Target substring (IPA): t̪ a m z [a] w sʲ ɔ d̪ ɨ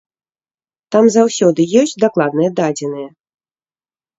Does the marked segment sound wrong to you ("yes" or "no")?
no